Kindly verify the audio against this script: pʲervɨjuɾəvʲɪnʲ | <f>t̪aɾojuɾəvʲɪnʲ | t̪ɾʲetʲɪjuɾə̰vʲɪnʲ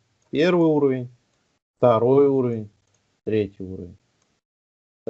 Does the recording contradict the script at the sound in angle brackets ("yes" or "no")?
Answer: no